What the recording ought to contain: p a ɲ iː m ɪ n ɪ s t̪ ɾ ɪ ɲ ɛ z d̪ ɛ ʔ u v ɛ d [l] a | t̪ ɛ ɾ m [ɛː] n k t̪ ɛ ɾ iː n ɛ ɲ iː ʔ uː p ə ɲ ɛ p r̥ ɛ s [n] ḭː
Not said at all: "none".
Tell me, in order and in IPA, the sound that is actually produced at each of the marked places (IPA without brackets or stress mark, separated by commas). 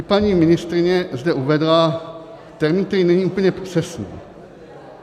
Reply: l, iː, n